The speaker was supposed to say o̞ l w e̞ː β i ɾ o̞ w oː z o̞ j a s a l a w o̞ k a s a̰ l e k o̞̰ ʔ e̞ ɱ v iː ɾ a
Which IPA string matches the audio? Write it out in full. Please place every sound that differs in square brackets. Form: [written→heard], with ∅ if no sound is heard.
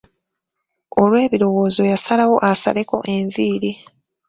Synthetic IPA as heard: o̞ l w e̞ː β i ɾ o̞ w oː z o̞ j a s a l a w o̞ [k→ʔ] a s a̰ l e k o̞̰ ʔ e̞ ɱ v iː ɾ [a→i]